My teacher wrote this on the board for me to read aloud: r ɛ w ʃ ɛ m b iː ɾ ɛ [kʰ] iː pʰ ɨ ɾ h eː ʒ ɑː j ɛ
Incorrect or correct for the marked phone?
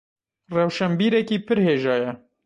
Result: incorrect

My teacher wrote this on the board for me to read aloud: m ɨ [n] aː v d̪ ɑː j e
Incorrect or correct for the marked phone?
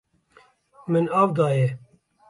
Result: correct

